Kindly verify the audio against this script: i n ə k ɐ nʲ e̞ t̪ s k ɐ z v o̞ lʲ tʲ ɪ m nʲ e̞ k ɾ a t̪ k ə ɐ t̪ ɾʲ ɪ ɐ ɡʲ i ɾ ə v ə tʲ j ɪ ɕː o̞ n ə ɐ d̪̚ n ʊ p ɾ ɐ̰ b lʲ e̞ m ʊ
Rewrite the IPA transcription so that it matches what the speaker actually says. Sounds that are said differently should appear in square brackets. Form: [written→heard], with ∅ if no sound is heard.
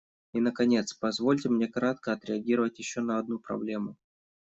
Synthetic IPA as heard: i n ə k ɐ nʲ e̞ t̪ s [k→p] ɐ z v o̞ lʲ tʲ ɪ m nʲ e̞ k ɾ a t̪ k ə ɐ t̪ ɾʲ ɪ ɐ ɡʲ i ɾ ə v ə tʲ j ɪ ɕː o̞ n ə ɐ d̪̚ n [ʊ→u] p ɾ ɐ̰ b lʲ e̞ m ʊ